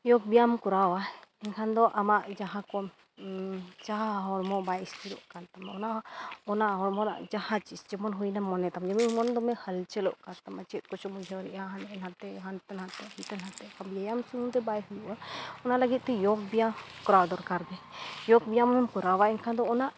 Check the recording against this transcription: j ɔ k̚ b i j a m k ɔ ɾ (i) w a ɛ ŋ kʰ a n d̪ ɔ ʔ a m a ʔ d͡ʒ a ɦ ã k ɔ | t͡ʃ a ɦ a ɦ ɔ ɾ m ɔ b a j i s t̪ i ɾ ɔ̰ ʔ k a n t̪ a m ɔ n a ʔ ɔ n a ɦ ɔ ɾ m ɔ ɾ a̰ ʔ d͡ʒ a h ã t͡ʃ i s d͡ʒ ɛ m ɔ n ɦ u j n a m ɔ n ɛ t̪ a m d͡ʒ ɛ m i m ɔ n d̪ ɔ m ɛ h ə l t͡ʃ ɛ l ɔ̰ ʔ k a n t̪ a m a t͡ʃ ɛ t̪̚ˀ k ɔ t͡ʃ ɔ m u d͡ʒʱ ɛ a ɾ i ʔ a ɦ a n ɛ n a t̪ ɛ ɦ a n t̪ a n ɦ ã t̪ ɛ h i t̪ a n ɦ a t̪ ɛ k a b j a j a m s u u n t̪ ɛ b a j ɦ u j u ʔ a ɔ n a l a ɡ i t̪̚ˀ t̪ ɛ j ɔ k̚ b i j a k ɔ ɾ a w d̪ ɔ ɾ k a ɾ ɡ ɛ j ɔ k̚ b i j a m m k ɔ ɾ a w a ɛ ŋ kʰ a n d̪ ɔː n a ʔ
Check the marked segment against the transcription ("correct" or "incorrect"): incorrect